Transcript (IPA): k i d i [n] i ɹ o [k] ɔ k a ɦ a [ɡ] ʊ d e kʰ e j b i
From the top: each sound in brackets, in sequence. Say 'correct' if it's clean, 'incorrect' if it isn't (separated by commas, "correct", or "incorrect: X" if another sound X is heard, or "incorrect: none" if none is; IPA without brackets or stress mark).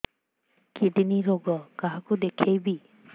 correct, incorrect: ɡ, incorrect: k